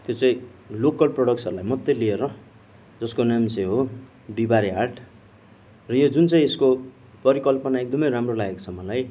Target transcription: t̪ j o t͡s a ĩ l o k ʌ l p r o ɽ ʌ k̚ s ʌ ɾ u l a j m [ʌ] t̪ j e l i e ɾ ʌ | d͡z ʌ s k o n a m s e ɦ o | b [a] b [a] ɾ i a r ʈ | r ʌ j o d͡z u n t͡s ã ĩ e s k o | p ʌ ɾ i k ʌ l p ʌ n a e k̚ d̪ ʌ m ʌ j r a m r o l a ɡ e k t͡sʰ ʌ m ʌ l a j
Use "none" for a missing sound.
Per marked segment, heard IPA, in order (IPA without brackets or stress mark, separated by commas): ʌ, i, a